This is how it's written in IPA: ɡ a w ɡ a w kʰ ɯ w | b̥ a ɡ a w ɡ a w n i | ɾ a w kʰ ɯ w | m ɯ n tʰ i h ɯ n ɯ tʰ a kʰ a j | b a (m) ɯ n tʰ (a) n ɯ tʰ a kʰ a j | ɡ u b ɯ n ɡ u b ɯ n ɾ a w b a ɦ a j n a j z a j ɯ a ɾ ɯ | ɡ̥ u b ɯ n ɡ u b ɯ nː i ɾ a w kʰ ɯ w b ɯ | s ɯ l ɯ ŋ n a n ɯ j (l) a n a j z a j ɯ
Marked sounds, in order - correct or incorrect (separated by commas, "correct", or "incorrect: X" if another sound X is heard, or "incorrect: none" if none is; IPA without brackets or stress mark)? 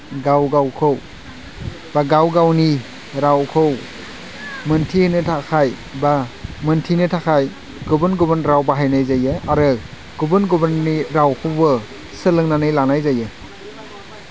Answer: correct, incorrect: i, correct